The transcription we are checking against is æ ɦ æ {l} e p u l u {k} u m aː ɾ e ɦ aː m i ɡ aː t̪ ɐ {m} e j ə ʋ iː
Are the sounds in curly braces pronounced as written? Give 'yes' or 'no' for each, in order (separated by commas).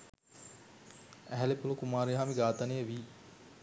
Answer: yes, yes, no